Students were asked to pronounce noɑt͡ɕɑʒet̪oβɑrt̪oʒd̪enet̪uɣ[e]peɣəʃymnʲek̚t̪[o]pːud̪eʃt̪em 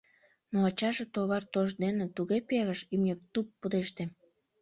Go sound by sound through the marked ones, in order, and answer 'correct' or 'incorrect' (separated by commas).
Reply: correct, incorrect